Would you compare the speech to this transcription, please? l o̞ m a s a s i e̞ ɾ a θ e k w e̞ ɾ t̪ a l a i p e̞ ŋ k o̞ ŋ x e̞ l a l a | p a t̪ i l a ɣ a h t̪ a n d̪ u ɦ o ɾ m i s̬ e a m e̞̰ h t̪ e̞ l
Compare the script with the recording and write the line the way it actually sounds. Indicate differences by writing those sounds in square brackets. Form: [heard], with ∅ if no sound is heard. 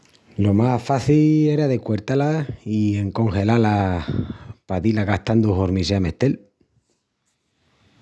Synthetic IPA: l o̞ m a [f] a [θ] i e̞ ɾ a [ð] e k w e̞ ɾ t̪ a l a i [∅] e̞ ŋ k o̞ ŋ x e̞ l a l a | p a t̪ i l a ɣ a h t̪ a n d̪ u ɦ o ɾ m i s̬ e a m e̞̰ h t̪ e̞ l